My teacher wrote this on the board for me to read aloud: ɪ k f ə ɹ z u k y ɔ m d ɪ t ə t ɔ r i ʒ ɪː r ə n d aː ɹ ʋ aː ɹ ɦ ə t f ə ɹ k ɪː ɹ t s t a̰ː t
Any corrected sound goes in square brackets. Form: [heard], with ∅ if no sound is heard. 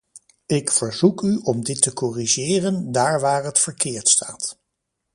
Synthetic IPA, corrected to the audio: ɪ k f ə ɹ z u k y ɔ m d ɪ t ə [k] ɔ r i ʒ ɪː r ə n d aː ɹ ʋ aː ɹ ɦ ə t f ə ɹ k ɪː ɹ t s t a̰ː t